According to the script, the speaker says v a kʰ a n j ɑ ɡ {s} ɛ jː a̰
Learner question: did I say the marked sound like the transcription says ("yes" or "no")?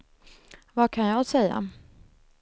yes